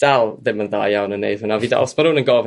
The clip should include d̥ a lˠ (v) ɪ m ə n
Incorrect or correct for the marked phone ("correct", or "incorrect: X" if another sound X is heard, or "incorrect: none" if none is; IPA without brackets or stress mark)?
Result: incorrect: ð